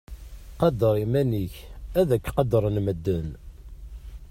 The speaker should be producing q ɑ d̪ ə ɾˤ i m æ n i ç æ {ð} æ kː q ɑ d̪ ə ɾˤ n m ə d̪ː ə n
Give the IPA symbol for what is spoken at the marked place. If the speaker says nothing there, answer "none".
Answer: ð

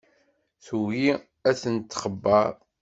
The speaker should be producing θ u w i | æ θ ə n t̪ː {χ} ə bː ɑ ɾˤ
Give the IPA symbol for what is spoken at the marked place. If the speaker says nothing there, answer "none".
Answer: χ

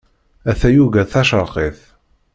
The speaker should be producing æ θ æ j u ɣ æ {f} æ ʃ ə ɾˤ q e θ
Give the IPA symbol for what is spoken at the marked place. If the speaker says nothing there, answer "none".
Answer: θ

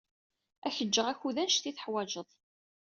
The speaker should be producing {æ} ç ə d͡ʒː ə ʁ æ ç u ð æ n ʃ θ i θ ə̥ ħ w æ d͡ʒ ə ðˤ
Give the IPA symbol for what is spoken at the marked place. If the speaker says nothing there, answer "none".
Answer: æ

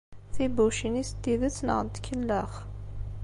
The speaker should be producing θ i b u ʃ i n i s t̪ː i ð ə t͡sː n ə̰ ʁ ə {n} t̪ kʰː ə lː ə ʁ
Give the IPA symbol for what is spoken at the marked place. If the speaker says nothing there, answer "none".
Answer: n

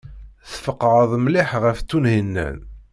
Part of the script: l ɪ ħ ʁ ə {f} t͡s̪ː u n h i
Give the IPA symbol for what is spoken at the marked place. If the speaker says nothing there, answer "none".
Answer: f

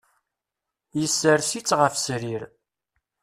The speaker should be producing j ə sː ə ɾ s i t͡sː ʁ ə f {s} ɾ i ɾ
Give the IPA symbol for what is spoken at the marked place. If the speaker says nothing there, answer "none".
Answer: s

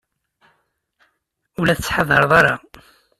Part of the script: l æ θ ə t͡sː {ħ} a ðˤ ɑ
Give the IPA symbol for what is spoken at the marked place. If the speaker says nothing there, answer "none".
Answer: ħ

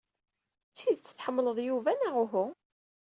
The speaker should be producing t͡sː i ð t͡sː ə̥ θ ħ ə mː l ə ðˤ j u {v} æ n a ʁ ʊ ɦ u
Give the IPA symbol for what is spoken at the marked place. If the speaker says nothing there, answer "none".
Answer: v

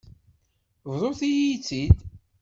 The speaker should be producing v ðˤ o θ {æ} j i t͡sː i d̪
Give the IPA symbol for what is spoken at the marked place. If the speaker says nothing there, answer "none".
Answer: i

